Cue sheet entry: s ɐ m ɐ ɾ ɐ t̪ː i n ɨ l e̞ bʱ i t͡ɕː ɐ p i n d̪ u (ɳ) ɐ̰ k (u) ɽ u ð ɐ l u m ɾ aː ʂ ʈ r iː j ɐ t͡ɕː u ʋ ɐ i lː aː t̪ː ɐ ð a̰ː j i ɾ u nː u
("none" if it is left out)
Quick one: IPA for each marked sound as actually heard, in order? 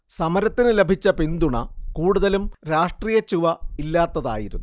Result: ɳ, uː

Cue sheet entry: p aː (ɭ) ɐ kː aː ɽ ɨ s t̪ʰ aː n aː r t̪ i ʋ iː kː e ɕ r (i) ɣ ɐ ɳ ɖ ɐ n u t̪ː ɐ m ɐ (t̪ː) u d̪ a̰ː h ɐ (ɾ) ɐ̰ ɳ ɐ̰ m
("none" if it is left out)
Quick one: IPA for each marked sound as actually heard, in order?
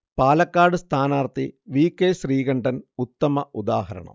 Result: l, iː, none, ɾ

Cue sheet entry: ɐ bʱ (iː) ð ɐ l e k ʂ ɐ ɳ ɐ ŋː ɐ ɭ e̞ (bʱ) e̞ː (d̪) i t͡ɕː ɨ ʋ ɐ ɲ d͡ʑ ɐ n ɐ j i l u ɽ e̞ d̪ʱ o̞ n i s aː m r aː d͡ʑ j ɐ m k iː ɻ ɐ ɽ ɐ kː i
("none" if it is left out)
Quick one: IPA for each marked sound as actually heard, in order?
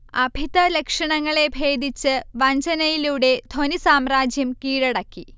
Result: i, bʱ, d̪

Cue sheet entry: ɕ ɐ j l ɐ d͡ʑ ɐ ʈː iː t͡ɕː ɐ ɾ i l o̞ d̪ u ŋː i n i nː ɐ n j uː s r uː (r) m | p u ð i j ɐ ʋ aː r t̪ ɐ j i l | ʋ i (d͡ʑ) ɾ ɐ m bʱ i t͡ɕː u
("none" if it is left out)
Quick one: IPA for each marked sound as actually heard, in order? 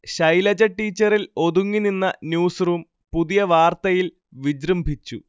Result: none, d͡ʑ

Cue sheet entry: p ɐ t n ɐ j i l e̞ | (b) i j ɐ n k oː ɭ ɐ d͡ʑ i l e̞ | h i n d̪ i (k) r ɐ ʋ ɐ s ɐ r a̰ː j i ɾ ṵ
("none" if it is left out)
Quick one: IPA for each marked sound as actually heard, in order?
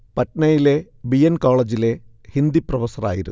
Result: b, p

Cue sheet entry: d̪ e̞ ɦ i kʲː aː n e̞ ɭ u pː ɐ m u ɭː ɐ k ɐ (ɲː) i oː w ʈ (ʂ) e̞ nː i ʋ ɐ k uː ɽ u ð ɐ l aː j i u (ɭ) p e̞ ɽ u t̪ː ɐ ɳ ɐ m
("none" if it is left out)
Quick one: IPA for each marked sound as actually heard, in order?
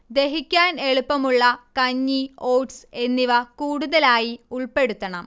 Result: ɲː, s, ɭ

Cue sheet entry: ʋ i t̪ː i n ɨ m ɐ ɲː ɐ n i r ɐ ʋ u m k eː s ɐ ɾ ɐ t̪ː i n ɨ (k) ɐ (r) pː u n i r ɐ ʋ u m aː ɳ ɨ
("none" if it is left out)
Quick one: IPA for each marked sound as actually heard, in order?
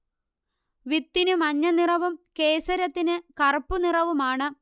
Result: k, r

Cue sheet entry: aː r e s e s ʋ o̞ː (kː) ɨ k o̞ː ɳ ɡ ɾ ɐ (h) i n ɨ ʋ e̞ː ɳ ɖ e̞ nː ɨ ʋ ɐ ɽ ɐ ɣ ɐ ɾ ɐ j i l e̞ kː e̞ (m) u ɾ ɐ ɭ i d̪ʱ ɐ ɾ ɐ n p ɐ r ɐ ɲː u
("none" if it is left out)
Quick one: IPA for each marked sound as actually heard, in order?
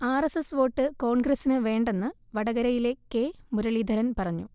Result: ʈː, s, m

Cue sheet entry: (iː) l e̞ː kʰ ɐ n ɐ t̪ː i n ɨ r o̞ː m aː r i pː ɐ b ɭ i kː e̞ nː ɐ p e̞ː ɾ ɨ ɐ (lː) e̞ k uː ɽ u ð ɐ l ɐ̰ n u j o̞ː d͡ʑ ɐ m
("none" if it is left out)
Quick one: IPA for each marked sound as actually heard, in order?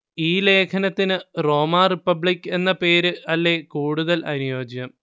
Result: iː, lː

